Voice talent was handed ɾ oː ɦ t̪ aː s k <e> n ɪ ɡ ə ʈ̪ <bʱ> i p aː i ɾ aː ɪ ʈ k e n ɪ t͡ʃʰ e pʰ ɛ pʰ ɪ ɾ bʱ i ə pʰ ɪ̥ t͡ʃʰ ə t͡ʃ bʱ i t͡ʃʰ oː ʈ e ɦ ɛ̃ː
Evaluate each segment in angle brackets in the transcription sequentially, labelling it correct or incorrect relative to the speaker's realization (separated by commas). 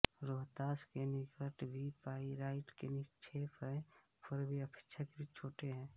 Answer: correct, correct